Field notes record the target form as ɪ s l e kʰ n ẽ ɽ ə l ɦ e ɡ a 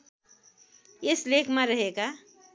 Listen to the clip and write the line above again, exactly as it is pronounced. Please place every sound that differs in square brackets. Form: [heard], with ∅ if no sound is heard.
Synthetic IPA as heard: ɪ s l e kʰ [m] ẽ [ɾ] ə [∅] ɦ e ɡ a